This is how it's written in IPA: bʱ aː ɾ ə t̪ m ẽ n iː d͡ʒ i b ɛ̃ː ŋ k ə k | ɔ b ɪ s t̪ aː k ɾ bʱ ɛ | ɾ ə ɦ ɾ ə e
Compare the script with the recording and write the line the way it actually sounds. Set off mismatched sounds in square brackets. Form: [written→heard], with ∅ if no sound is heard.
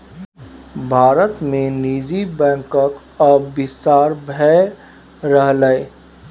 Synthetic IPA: bʱ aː ɾ ə t̪ m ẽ n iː d͡ʒ i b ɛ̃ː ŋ k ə k | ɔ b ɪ s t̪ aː [k→∅] ɾ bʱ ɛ | ɾ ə ɦ [ɾ→l] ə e